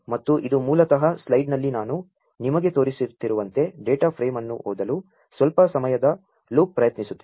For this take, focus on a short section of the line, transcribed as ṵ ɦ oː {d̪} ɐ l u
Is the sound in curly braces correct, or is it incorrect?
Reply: correct